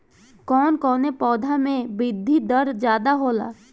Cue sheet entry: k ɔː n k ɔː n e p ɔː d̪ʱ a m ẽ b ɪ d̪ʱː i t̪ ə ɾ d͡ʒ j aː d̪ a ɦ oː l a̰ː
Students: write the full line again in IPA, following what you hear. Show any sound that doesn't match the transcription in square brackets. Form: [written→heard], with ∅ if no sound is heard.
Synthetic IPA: k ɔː n k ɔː n e p ɔː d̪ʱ a m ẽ b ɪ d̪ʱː i [t̪→d̪] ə ɾ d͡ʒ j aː d̪ a ɦ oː l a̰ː